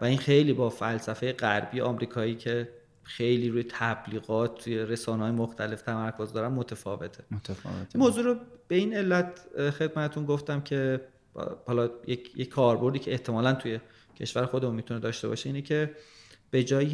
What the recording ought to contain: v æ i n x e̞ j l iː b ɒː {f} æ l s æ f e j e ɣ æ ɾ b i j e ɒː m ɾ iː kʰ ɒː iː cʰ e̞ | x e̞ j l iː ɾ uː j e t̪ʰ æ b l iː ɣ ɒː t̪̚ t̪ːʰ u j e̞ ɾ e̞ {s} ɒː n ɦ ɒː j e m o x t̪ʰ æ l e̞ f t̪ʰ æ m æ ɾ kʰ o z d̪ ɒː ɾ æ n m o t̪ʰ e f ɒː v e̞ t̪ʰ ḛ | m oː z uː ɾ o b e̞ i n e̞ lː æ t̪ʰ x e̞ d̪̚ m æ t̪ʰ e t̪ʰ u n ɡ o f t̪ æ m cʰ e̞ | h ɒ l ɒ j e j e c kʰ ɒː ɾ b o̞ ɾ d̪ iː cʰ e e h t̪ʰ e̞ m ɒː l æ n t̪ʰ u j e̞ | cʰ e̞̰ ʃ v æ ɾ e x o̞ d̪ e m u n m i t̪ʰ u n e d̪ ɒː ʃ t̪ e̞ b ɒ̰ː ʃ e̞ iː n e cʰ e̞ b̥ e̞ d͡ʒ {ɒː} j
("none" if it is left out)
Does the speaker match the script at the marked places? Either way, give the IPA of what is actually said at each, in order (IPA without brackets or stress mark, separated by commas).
f, s, ɒː